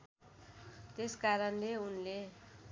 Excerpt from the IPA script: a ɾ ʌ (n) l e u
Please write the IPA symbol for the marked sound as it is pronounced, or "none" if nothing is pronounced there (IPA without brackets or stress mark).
n